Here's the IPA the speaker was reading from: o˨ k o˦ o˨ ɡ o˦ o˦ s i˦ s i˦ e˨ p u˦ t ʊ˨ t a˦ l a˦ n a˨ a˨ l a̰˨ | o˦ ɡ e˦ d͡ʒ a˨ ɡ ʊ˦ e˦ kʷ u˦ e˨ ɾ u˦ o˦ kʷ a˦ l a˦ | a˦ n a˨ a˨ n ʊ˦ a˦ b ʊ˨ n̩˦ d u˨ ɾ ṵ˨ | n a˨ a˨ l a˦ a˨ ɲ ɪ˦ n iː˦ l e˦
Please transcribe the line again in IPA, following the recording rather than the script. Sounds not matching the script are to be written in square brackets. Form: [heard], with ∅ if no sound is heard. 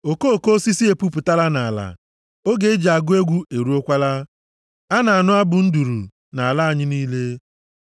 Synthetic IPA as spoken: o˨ k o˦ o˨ [k] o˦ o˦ s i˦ s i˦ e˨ p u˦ [p] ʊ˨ t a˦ l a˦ n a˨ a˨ l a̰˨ | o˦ ɡ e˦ d͡ʒ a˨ ɡ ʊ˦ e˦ [ɡʷ] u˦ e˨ ɾ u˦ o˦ kʷ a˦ l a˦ | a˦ n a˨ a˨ n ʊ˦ a˦ b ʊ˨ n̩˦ d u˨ ɾ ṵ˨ | n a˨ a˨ l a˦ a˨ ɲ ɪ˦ n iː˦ l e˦